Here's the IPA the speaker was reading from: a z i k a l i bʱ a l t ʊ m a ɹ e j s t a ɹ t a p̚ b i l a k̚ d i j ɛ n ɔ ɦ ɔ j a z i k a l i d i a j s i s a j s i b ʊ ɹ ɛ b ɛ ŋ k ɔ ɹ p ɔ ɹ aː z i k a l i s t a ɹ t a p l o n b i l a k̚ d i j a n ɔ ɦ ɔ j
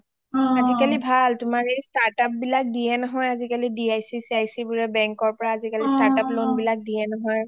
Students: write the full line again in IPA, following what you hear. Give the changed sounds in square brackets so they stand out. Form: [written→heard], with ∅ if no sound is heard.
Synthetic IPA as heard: a z i k a l i bʱ a l t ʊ m a ɹ e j s t a ɹ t a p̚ b i l a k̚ d i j ɛ n ɔ ɦ ɔ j a z i k a l i d i a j s i s a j s i b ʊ ɹ ɛ b ɛ ŋ k ɔ ɹ p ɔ ɹ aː z i k a l i s t a ɹ t a p l o n b i l a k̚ d i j [a→ɛ] n ɔ ɦ ɔ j

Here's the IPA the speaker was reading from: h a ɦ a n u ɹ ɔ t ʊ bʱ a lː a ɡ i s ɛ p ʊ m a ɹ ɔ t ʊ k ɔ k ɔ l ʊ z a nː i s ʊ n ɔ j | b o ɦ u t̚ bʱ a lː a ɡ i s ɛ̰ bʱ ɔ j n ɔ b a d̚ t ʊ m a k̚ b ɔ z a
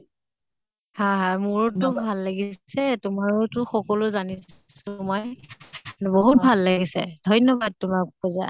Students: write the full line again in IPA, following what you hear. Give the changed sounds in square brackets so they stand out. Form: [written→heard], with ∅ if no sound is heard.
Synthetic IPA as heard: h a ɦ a [n→m] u ɹ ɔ t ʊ bʱ a lː a ɡ i s ɛ [p→t] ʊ m a ɹ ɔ t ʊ [k→x] ɔ k ɔ l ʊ z a [nː→n] i s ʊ [n→m] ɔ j | b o ɦ u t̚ bʱ a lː a ɡ i s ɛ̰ [bʱ→dʱ] ɔ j n ɔ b a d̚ t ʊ m a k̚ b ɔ z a

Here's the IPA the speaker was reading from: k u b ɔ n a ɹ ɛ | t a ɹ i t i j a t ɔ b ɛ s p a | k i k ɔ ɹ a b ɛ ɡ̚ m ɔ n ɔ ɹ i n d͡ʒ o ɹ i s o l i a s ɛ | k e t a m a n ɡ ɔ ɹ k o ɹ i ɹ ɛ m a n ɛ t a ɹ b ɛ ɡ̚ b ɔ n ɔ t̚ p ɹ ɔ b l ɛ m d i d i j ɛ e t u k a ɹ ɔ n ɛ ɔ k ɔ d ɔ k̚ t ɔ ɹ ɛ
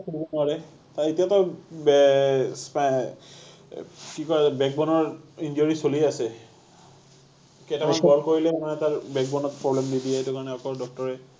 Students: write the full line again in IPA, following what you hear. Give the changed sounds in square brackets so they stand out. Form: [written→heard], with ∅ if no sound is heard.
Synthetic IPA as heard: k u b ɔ n a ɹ ɛ | t a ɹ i t i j a t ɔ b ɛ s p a | k i k ɔ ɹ a b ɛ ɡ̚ [m→b] ɔ n ɔ ɹ i n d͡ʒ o ɹ i s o l i a s ɛ | k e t a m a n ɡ ɔ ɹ k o ɹ i [ɹ→l] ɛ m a n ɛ t a ɹ b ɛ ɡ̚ b ɔ n ɔ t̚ p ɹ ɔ b l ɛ m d i d i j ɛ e t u k a ɹ ɔ n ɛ ɔ k ɔ d ɔ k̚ t ɔ ɹ ɛ

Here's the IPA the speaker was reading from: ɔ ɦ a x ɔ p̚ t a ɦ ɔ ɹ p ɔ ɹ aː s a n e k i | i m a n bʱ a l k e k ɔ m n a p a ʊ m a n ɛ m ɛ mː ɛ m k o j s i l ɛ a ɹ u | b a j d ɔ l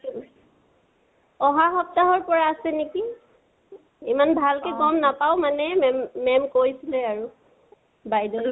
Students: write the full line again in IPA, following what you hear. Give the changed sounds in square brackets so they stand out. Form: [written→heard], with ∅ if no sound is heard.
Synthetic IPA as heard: ɔ ɦ a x ɔ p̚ t a ɦ ɔ ɹ p ɔ ɹ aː s [a→ɛ] n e k i | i m a n bʱ a l k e k ɔ m n a p a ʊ m a n ɛ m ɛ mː ɛ m k o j s i l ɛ a ɹ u | b a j d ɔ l

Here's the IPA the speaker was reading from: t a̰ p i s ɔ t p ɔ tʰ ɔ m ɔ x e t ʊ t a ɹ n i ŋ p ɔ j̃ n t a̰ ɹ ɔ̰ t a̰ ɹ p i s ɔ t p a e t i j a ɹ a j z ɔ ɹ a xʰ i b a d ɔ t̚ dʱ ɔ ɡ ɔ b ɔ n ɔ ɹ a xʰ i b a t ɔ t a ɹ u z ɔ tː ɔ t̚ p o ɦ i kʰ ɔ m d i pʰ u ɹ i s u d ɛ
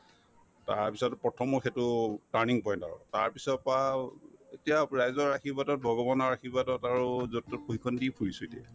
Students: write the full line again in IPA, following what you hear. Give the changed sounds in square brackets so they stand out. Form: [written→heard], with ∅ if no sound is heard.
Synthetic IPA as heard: t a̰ p i s ɔ t p ɔ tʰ ɔ m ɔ x e t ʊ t a ɹ n i ŋ p ɔ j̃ n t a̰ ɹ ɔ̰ t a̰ ɹ p i s ɔ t p a e t i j a ɹ a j z ɔ ɹ a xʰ i b a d ɔ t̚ [dʱ→bʱ] ɔ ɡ ɔ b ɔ n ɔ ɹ a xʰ i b a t ɔ t a ɹ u z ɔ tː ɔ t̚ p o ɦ i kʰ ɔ [m→n] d i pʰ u ɹ i s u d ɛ

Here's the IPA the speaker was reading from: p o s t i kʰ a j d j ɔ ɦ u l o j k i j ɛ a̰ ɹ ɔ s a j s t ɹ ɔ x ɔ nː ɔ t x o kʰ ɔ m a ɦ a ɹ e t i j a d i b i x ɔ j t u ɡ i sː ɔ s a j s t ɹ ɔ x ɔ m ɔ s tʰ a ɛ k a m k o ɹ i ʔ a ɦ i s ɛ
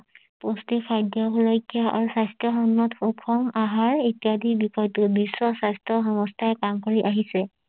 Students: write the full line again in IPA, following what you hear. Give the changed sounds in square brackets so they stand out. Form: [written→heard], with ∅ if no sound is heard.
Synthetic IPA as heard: p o s t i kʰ a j d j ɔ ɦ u l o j k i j [ɛ→a] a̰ ɹ [ɔ→u] s a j s t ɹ ɔ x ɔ nː ɔ t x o kʰ ɔ m a ɦ a ɹ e t i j a d i b i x ɔ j t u [ɡ→b] i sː ɔ s a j s t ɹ ɔ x ɔ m ɔ s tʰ a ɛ k a m k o ɹ i ʔ a ɦ i s ɛ

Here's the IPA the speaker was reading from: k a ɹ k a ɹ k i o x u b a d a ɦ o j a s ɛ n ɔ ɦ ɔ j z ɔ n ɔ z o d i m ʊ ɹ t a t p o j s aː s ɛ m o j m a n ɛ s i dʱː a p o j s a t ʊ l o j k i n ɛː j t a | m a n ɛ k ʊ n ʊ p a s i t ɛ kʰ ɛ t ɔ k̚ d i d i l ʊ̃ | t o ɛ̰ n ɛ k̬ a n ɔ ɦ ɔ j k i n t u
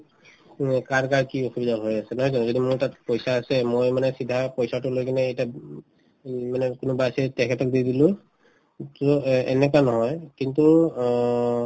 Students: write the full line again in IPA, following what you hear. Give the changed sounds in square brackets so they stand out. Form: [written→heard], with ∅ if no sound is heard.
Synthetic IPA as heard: k a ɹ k a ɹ k i o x u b [a→i] d a ɦ o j a s ɛ n ɔ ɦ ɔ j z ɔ n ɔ z o d i m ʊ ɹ t a t p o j s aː s ɛ m o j m a n ɛ s i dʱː a p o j s a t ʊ l o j k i n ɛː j t a | m a n ɛ k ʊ n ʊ [p→b] a s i t ɛ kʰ ɛ t ɔ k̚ d i d i l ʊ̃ | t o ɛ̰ n ɛ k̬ a n ɔ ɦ ɔ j k i n t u

